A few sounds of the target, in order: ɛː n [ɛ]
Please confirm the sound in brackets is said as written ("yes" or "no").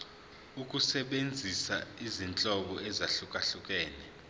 yes